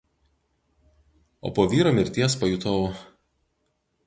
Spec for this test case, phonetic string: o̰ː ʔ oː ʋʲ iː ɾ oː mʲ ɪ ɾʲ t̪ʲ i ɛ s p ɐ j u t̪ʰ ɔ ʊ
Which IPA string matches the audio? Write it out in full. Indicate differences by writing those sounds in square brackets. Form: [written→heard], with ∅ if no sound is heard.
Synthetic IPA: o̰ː [ʔ→p] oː ʋʲ iː ɾ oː mʲ ɪ ɾʲ t̪ʲ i ɛ s p ɐ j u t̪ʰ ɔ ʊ